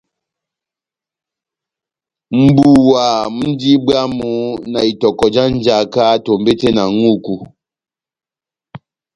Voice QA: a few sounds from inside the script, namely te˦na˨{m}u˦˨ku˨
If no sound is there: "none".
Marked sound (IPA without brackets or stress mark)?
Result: ŋ